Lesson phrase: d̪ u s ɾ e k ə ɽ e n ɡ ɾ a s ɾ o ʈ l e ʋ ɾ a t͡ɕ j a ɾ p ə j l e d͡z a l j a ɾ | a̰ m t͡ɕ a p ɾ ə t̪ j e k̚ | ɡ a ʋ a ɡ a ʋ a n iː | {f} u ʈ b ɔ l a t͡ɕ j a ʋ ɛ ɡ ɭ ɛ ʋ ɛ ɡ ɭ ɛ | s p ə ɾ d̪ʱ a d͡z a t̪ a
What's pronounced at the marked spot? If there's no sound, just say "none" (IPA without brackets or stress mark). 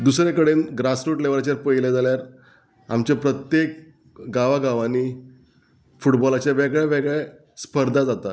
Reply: f